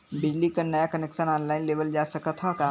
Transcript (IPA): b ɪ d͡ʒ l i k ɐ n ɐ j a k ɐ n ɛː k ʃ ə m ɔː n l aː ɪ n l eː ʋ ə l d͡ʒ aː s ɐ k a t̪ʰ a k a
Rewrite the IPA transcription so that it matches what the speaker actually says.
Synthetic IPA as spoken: b ɪ d͡ʒ l i k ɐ n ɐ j a k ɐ n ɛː k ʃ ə n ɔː n l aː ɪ n l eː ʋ ə l d͡ʒ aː s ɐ k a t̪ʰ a k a